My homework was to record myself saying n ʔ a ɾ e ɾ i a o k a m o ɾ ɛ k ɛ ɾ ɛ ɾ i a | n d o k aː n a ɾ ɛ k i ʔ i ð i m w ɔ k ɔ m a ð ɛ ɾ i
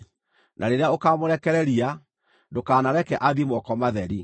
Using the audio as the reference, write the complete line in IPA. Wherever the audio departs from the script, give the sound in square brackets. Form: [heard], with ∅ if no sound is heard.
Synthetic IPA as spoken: n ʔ a ɾ e ɾ [e] a o k a m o ɾ ɛ k ɛ ɾ ɛ ɾ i a | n d o k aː n a ɾ ɛ k [ɛ] ʔ [a] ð i m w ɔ k ɔ m a ð ɛ ɾ i